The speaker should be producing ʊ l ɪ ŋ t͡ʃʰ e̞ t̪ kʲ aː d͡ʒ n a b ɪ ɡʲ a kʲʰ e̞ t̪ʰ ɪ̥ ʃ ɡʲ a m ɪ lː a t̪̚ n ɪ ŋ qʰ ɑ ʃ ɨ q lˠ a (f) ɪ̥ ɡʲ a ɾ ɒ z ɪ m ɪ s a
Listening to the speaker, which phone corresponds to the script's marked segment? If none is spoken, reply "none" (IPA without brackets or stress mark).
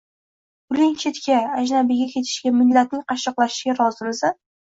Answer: ʃ